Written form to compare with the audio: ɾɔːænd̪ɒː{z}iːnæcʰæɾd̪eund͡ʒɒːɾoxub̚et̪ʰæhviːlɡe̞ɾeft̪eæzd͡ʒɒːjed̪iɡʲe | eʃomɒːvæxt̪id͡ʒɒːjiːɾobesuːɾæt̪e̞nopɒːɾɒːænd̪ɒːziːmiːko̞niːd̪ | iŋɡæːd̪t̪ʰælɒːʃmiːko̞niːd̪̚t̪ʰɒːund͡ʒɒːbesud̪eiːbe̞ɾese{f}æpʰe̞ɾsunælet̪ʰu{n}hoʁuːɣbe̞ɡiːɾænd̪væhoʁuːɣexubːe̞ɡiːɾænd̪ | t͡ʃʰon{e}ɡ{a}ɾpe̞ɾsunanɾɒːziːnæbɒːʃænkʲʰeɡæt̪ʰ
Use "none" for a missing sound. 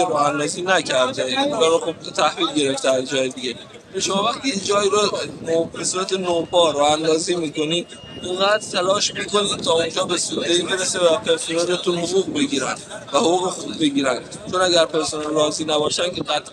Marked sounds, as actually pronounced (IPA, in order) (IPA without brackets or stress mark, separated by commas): z, v, n, æ, æ